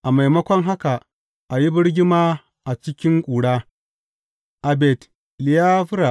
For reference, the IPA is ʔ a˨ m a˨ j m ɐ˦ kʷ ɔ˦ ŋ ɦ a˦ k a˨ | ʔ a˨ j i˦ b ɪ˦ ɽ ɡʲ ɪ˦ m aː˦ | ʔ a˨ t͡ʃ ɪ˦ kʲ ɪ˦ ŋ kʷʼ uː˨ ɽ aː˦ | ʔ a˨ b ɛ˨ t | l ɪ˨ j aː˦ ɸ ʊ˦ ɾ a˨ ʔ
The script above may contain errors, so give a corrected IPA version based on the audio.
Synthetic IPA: ʔ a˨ m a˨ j m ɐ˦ kʷ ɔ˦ ŋ ɦ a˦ k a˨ | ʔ a˨ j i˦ b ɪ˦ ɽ ɡʲ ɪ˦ m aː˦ | ʔ a˨ t͡ʃ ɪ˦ kʲ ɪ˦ ŋ kʷʼ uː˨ ɽ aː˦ | ʔ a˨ b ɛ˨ t | l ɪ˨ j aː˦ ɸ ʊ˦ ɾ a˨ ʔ